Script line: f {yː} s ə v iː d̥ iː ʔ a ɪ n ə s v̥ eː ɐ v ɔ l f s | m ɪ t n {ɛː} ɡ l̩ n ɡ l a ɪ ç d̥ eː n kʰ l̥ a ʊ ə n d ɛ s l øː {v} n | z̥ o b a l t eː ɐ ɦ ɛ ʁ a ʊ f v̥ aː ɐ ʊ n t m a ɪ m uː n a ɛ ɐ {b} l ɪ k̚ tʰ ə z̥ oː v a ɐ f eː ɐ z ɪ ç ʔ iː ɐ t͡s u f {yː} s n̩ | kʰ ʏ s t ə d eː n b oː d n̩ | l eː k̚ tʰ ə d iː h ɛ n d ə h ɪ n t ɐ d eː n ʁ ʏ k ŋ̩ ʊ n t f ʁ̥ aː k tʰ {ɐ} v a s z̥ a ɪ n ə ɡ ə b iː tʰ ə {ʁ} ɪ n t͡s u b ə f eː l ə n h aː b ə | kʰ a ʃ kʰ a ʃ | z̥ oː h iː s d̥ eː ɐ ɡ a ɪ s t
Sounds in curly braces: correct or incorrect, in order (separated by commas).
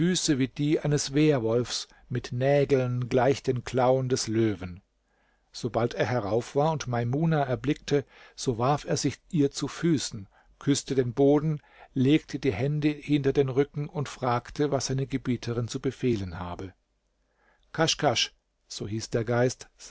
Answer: correct, correct, correct, correct, correct, incorrect, correct